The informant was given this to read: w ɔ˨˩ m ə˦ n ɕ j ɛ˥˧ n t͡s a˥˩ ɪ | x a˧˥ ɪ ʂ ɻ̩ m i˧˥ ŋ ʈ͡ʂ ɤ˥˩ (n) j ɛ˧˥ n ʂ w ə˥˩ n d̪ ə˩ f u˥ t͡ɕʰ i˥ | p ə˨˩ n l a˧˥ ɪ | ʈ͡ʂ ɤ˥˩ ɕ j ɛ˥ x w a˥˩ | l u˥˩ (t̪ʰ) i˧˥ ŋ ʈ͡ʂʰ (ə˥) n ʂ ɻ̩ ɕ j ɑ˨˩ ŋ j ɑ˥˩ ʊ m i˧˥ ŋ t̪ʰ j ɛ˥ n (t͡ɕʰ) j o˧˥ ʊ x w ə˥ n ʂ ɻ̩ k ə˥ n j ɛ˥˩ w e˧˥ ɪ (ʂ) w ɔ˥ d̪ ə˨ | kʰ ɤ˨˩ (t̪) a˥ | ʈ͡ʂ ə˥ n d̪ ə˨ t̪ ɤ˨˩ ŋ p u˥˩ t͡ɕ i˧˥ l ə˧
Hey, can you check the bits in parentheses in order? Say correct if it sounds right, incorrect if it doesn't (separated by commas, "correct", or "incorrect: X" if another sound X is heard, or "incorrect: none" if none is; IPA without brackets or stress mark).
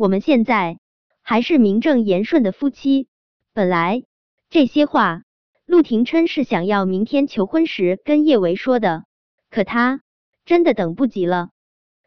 incorrect: ŋ, correct, correct, correct, correct, incorrect: t̪ʰ